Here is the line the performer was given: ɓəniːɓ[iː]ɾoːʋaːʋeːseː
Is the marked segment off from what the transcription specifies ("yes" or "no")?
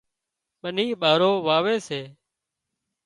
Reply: yes